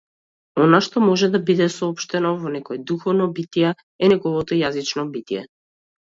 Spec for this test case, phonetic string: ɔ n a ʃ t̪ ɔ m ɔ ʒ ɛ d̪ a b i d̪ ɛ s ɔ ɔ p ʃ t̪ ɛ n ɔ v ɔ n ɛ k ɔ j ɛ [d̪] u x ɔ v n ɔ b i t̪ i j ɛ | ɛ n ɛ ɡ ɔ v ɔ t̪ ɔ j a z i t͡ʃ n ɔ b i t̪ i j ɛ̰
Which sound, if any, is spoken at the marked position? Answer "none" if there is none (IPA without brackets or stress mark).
d̪